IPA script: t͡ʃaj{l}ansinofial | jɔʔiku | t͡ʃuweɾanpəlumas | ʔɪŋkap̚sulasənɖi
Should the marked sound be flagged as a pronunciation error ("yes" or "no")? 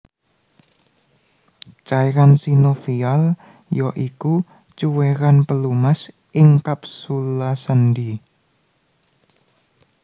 yes